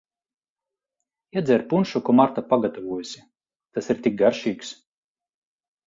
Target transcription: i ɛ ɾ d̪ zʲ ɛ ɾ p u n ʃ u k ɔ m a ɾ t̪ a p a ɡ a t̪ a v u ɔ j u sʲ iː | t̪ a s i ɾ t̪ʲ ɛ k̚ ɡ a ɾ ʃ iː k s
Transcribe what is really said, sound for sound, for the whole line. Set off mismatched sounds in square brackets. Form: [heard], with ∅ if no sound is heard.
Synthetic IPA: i ɛ [∅] d̪ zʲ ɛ ɾ p u n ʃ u k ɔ m a ɾ t̪ a p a ɡ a t̪ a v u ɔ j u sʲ [i] | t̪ a s i ɾ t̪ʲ [i] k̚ ɡ a ɾ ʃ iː k s